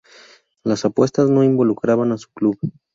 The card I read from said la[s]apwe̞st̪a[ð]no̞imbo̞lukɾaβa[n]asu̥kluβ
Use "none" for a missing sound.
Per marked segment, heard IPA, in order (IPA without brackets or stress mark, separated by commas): s, z, n